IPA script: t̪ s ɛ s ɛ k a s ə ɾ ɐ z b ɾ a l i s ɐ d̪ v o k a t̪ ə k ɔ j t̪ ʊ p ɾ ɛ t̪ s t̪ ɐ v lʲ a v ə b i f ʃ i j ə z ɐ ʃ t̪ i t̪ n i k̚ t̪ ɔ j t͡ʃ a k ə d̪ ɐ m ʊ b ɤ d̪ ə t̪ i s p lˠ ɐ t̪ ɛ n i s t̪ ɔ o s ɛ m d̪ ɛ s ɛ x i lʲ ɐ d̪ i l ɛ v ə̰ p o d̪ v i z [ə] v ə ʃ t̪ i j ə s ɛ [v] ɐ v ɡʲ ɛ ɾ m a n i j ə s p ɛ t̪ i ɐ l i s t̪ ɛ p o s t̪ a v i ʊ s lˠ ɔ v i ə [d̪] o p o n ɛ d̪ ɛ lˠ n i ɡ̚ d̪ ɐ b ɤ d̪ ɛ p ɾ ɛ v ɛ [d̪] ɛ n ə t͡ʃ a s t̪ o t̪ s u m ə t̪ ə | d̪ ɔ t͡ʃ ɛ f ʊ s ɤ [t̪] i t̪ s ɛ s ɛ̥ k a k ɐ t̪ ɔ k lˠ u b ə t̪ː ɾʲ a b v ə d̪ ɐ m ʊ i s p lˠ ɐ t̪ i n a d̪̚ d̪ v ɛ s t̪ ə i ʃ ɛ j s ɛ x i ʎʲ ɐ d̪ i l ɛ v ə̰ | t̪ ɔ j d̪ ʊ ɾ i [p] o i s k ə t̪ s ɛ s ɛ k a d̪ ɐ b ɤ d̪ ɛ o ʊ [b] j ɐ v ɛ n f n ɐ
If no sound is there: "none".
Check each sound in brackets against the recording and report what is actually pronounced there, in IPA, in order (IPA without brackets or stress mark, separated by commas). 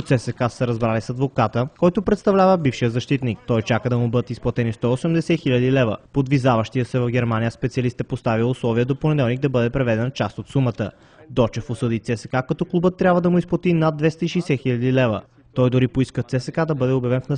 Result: a, v, d̪, d̪, d̪, p, b